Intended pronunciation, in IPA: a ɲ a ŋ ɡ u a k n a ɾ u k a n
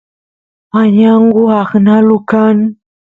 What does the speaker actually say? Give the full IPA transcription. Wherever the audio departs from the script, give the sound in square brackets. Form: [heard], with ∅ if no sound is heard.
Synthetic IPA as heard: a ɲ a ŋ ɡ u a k n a [l] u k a n